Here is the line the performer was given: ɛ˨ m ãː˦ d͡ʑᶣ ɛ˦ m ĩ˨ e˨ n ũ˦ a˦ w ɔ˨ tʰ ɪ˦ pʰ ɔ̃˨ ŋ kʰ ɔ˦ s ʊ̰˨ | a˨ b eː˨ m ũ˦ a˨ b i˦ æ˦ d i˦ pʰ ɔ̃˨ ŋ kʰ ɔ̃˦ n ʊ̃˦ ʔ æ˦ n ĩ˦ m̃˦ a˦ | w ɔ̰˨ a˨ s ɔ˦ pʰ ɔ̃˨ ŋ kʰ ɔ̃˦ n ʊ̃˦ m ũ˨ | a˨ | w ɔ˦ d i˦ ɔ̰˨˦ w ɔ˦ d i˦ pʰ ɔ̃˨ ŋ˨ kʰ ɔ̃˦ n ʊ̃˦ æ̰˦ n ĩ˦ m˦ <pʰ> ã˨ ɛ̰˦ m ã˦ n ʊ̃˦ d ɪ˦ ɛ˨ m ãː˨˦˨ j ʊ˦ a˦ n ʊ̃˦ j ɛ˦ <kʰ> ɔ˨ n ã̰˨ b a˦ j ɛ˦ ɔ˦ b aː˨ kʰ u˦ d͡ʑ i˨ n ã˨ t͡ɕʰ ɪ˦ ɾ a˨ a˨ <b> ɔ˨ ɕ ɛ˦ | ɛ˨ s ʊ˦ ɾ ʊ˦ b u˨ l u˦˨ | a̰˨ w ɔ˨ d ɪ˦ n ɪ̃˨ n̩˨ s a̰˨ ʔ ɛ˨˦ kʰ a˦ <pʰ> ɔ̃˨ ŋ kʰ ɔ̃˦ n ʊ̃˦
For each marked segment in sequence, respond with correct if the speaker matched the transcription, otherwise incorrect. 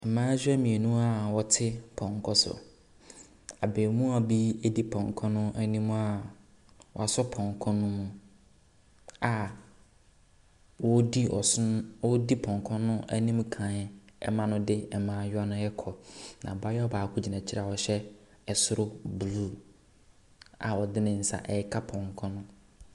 incorrect: kʰ, correct, incorrect: w, correct

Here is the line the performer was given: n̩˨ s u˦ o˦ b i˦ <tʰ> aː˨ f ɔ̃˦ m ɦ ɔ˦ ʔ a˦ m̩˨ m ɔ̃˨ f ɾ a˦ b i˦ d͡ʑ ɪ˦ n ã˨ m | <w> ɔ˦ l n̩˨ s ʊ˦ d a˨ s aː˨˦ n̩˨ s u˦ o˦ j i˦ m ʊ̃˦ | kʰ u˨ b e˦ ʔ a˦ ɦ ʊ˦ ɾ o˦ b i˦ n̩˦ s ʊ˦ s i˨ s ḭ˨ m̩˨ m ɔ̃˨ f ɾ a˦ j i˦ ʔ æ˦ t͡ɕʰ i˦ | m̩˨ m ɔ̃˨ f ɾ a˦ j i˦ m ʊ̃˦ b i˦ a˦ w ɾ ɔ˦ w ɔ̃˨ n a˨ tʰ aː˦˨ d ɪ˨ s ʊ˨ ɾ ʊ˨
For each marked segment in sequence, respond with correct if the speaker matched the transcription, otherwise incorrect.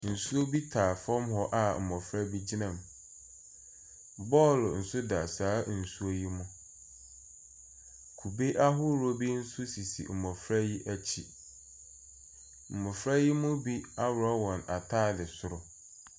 correct, incorrect: b

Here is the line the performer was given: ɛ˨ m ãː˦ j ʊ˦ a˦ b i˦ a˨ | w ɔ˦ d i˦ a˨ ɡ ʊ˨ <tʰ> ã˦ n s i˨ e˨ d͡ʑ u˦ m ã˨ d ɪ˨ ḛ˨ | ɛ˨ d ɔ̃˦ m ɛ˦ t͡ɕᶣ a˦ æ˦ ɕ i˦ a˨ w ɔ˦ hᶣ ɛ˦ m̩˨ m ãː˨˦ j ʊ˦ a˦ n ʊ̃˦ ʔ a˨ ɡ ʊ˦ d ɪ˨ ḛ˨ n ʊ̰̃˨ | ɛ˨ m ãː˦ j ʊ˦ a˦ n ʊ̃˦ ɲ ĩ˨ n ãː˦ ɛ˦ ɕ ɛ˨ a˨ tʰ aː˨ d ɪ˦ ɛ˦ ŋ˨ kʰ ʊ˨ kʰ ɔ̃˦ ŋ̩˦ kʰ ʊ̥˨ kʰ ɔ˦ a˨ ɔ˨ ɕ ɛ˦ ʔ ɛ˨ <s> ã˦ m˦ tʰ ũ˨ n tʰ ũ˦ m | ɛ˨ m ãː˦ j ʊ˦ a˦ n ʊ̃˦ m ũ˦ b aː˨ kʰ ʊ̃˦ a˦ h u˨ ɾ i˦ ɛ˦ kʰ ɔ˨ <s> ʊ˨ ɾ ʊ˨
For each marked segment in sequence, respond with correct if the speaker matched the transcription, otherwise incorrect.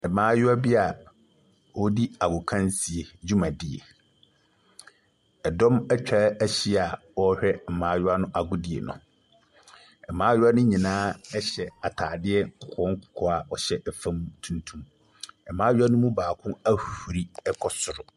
incorrect: kʰ, incorrect: f, correct

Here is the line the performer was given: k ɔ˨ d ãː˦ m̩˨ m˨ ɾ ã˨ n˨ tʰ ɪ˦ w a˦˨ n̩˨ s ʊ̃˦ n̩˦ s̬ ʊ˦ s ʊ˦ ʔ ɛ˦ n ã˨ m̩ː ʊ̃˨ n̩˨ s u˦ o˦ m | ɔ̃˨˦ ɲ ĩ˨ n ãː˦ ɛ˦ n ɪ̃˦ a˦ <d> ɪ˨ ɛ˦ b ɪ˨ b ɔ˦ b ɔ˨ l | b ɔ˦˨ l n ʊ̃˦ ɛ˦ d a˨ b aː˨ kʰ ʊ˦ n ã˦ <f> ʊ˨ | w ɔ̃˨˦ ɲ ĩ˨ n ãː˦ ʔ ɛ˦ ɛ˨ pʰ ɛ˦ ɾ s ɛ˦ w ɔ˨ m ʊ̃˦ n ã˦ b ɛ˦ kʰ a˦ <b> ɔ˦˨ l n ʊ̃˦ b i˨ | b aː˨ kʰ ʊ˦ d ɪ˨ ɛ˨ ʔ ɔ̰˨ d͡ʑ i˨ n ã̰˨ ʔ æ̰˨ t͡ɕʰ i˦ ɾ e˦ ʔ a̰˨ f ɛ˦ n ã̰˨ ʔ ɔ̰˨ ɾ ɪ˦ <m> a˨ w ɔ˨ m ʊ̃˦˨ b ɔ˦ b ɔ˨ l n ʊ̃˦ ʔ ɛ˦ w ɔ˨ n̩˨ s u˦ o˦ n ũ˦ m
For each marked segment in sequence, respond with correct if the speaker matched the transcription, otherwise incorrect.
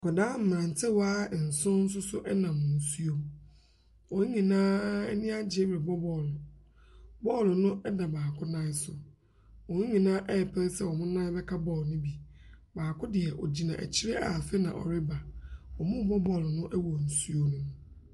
incorrect: d͡ʑ, incorrect: s, correct, incorrect: b

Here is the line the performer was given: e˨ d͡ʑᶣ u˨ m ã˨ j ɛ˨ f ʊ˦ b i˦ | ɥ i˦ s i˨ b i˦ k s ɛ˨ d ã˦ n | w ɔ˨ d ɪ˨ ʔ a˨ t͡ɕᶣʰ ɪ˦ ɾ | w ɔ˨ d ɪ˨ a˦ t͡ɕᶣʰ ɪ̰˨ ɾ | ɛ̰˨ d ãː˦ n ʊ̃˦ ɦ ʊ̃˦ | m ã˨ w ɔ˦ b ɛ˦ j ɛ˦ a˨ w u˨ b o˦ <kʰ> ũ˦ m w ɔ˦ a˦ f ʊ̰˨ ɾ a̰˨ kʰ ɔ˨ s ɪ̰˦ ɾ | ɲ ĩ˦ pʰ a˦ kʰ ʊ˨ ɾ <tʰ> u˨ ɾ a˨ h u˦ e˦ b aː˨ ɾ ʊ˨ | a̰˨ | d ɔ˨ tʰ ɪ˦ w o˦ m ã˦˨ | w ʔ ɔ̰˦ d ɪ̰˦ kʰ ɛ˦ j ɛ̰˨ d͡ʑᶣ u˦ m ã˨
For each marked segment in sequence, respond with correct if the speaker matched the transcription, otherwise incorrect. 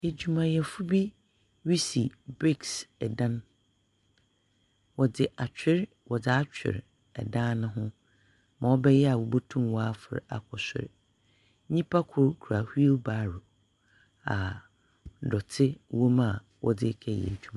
incorrect: tʰ, incorrect: kʰ

